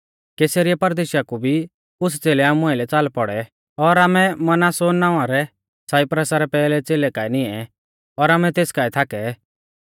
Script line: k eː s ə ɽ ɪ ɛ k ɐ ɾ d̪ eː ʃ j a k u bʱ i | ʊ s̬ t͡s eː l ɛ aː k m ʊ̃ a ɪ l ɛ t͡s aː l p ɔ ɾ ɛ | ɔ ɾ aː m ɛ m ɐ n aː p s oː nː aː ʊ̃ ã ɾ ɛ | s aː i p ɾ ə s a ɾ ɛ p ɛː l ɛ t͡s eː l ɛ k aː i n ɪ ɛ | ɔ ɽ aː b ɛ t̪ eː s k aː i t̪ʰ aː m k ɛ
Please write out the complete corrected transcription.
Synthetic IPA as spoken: k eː s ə ɾ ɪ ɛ p ɐ ɾ d̪ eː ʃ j a k u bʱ i | ʊ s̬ t͡s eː l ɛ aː m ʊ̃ a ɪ l ɛ t͡s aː l p ɔ ɽ ɛ | ɔ ɾ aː m ɛ m ɐ n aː s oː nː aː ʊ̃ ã ɾ ɛ | s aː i p ɾ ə s a ɾ ɛ p ɛː l ɛ t͡s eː l ɛ k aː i n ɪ ɛ | ɔ ɾ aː m ɛ t̪ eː s k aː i t̪ʰ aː k ɛ